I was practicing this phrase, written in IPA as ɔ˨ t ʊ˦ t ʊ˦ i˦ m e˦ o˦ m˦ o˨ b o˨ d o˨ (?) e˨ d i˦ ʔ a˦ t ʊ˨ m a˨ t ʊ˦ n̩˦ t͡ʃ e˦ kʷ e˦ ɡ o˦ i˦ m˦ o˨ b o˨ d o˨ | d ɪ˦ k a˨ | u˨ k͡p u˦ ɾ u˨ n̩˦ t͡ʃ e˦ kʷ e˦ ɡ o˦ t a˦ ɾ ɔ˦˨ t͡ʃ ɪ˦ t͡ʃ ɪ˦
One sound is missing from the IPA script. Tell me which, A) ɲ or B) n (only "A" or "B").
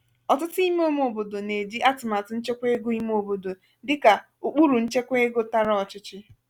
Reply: B